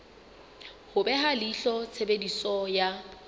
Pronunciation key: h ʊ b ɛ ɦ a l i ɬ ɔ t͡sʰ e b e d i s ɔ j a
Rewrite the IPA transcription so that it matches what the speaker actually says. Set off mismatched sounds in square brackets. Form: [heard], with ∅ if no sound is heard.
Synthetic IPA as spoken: h ʊ b ɛ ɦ a l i ɬ ɔ t͡sʰ e b e d i s ɔ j a